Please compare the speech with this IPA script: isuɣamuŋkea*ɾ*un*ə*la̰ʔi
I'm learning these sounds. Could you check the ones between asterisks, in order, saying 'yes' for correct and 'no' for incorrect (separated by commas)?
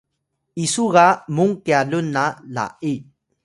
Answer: no, no